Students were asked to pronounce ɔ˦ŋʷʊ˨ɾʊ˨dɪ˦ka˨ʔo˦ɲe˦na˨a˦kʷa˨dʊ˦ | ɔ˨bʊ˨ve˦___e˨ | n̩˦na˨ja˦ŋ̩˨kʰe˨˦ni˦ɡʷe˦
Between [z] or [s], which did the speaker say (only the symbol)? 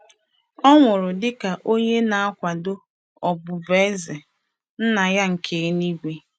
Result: z